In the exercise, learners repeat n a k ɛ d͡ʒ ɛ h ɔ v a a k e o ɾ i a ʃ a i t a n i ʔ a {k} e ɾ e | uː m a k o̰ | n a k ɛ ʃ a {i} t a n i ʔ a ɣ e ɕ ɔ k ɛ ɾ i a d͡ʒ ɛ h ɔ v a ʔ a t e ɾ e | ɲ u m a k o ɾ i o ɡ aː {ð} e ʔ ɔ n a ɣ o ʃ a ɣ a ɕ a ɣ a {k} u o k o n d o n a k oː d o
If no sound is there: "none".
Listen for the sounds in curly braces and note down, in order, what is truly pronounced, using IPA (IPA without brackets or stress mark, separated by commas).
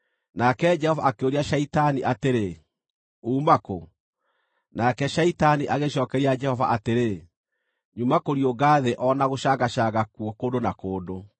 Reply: t, i, ð, k